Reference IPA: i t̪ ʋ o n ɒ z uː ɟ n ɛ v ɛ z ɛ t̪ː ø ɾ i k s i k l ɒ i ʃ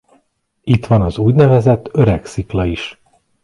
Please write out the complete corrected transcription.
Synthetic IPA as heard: i t̪ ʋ ɒ n ɒ z uː ɟ n ɛ v ɛ z ɛ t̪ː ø ɾ ɛ k s i k l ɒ i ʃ